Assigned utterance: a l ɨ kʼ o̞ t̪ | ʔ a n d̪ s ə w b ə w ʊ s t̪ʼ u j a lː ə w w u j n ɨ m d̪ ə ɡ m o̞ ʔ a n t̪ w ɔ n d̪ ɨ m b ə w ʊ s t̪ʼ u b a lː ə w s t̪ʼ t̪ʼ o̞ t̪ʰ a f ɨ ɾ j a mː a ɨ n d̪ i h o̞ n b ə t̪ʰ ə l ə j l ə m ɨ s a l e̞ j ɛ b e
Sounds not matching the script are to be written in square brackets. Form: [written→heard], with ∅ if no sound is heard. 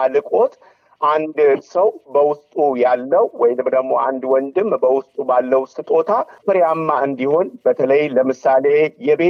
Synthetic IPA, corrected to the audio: a l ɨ kʼ o̞ t̪ | ʔ a n d̪ s ə w b ə w ʊ s t̪ʼ u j a lː ə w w [u→ɔ] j n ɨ m d̪ ə ɡ m o̞ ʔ a n [t̪→d̪] w ɔ n d̪ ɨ m b ə w ʊ s t̪ʼ u b a lː ə w s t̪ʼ t̪ʼ o̞ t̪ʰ a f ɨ ɾ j a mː a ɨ n d̪ i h o̞ n b ə t̪ʰ ə l ə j l ə m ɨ s a l e̞ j ɛ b e